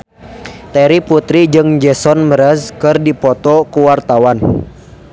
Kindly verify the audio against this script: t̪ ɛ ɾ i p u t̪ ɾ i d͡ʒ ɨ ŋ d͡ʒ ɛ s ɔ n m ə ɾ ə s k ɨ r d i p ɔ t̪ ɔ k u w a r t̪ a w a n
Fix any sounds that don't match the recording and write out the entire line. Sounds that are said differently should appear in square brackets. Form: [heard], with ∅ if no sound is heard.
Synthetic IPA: t̪ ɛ ɾ i p u t̪ ɾ i d͡ʒ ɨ ŋ d͡ʒ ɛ s ɔ n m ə ɾ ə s k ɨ r d i p ɔ t̪ ɔ k u w a r t̪ a w a n